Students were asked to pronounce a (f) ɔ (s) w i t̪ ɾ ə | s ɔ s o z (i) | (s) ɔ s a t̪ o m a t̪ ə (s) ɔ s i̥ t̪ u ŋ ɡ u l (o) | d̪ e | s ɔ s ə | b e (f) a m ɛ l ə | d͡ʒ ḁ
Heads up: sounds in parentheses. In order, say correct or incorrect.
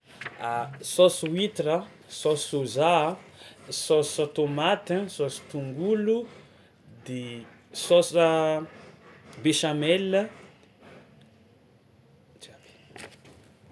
incorrect: s, correct, incorrect: a, correct, correct, incorrect: u, incorrect: ʃ

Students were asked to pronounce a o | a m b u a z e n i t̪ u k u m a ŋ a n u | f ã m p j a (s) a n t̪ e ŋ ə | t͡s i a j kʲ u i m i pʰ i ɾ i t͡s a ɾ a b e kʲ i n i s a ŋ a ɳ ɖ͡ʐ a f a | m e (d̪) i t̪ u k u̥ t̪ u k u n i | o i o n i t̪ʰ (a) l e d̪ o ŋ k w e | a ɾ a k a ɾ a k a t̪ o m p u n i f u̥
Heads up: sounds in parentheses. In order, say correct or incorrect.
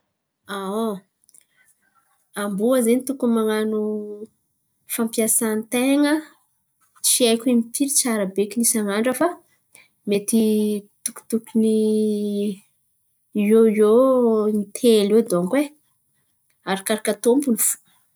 correct, incorrect: t̪, incorrect: e

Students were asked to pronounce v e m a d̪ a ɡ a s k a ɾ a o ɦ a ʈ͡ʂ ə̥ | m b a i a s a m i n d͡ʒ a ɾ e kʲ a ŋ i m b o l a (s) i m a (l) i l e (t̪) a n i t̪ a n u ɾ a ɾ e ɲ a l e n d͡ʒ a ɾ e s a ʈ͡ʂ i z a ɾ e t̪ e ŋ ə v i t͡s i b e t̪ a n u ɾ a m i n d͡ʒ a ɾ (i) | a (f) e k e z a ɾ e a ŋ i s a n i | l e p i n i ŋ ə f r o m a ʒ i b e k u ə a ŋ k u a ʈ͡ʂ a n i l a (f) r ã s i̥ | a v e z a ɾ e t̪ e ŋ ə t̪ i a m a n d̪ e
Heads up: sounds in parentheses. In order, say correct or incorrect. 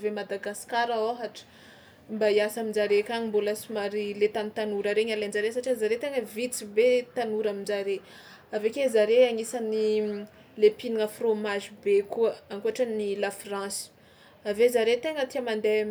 correct, incorrect: ɾ, correct, incorrect: e, incorrect: v, correct

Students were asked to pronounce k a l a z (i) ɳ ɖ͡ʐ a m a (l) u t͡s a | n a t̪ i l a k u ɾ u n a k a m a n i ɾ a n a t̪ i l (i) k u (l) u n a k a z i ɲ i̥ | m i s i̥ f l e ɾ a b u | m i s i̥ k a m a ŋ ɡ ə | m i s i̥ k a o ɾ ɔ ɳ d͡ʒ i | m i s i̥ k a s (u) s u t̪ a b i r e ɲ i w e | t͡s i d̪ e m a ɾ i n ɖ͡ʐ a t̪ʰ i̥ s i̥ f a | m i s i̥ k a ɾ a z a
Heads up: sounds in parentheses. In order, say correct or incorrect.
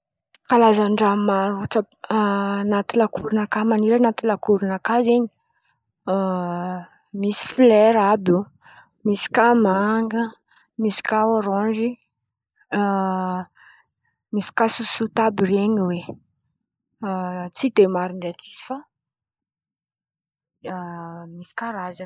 incorrect: a, incorrect: ɾ, incorrect: a, incorrect: ɾ, correct

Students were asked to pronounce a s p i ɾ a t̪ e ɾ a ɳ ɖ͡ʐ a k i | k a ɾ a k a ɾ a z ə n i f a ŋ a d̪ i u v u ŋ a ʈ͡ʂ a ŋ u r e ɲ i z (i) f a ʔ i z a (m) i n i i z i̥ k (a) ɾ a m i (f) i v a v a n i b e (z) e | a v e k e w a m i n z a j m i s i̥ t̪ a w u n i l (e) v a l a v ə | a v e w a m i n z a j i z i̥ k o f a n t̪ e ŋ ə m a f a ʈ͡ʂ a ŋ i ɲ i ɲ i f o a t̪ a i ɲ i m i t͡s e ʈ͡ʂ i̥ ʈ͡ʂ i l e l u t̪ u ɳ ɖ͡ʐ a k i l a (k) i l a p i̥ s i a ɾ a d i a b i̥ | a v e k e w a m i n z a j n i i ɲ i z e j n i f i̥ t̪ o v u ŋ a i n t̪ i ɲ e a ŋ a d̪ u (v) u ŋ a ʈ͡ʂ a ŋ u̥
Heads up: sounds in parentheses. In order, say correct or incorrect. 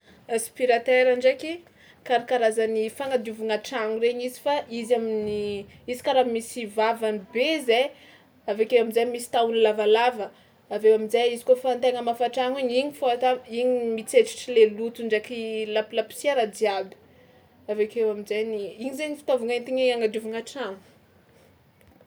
correct, correct, correct, incorrect: s, correct, incorrect: a, incorrect: p, correct

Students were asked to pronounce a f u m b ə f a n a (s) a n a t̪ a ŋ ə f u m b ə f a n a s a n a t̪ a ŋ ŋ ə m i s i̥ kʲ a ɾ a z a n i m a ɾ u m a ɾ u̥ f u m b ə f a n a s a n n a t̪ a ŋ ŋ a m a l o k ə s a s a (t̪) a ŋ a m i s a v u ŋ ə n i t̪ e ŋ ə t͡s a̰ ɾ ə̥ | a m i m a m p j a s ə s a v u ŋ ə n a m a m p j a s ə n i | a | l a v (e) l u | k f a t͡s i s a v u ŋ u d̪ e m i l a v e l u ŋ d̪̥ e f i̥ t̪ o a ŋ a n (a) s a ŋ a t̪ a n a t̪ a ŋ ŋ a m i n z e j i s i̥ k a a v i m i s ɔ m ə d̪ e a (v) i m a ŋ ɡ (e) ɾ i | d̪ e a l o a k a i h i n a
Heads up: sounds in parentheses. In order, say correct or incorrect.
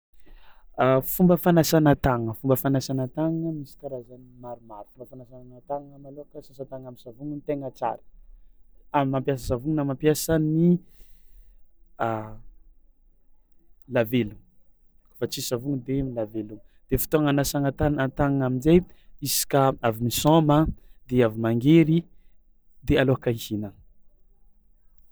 correct, correct, correct, correct, correct, correct

